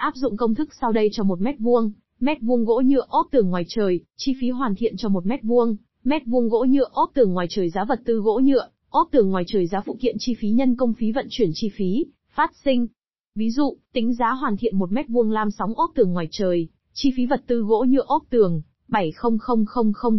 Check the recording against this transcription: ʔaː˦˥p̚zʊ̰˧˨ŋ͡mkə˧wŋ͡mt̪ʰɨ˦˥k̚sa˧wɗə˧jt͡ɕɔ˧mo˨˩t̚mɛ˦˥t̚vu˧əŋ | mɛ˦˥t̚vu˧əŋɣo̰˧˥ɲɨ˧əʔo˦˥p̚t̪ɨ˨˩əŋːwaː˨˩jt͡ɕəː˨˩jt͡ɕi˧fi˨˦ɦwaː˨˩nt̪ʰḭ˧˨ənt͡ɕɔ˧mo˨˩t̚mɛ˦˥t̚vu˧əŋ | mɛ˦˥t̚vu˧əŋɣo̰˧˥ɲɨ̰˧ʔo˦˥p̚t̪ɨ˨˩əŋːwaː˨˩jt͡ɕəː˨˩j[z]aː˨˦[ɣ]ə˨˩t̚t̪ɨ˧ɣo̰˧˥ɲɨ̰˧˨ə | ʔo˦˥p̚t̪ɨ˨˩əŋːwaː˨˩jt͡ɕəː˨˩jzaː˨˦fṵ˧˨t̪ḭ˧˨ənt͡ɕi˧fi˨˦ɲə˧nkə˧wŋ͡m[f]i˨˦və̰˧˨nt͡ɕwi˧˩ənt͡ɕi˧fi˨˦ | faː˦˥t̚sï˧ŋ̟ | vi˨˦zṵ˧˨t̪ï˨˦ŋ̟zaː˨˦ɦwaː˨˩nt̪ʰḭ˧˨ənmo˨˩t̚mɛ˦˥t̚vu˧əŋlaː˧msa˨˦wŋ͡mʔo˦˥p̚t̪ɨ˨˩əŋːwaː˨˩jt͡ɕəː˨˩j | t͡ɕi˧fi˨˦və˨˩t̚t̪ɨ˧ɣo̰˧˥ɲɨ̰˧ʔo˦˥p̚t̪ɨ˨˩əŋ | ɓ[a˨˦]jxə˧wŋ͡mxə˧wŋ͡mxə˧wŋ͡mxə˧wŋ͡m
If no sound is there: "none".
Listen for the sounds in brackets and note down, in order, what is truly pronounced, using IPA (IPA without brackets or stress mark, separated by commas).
z, v, f, a˧˩